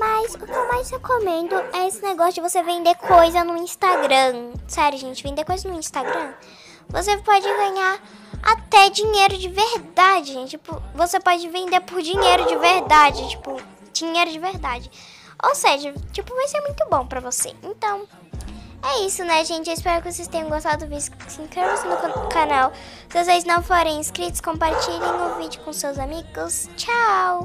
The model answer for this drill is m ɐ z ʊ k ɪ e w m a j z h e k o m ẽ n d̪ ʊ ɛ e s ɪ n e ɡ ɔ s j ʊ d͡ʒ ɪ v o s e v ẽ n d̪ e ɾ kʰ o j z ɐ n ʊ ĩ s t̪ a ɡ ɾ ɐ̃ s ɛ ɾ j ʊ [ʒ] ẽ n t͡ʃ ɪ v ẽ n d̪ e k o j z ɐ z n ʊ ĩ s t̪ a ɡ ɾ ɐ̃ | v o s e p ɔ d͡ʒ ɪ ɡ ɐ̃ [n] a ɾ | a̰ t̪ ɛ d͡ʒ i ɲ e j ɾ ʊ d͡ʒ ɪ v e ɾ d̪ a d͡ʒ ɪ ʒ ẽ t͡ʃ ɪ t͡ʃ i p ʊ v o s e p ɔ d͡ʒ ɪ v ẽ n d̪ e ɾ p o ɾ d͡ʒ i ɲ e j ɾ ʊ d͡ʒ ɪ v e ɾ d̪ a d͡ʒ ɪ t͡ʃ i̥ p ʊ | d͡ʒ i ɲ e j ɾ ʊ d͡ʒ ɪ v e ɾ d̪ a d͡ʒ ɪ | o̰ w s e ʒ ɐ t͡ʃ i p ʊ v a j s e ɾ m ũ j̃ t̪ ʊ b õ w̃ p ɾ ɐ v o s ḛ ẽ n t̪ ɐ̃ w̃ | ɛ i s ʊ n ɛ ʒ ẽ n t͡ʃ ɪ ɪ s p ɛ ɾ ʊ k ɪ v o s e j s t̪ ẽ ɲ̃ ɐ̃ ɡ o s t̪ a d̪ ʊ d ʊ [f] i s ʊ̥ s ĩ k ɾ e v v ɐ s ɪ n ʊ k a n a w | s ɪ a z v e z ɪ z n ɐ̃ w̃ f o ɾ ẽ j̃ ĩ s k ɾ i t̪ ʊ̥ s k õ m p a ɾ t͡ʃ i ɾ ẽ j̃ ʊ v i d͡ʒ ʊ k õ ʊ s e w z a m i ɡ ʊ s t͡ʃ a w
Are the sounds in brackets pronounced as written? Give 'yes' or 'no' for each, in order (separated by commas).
yes, no, no